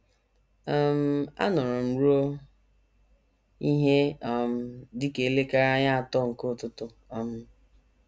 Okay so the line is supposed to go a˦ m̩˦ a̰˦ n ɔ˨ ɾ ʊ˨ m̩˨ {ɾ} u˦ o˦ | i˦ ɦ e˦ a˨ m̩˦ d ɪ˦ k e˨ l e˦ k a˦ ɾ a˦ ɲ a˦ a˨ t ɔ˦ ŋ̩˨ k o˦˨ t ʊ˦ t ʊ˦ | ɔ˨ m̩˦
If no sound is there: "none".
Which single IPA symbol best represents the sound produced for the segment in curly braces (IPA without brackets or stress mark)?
ɾ